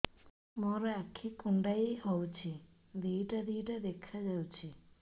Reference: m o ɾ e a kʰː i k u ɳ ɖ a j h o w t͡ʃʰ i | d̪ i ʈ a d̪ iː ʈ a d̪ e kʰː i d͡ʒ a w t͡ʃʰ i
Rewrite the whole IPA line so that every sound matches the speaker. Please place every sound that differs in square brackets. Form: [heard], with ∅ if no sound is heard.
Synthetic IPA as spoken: m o ɾ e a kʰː i k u ɳ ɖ a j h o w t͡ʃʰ i | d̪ i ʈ a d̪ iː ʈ a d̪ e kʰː [a] d͡ʒ a w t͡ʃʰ i